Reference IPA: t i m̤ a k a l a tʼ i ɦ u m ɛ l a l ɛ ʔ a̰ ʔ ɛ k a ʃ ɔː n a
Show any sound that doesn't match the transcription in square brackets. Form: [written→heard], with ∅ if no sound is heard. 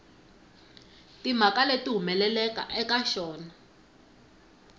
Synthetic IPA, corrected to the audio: t i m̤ a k a l [a→e] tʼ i ɦ u m ɛ l [a→ɛ] l ɛ [ʔ→k] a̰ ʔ ɛ k a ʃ ɔː n a